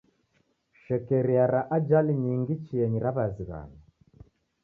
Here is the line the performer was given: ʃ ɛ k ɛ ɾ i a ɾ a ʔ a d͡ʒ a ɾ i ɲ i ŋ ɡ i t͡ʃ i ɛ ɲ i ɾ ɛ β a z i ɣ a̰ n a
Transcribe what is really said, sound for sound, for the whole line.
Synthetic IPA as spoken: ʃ ɛ k ɛ ɾ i a ɾ a ʔ a d͡ʒ a l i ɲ i ŋ ɡ i t͡ʃ i ɛ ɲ i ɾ a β a z i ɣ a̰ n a